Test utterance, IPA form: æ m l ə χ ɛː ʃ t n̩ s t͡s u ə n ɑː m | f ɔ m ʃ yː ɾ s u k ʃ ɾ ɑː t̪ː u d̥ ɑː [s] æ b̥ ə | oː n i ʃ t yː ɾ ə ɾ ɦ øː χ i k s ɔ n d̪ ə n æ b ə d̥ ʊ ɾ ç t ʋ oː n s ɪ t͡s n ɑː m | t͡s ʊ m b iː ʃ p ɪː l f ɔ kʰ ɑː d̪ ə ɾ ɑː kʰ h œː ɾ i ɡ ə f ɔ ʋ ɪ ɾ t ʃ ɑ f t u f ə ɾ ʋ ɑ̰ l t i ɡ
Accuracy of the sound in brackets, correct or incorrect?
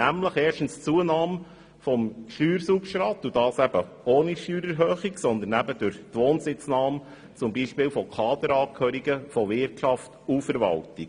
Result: correct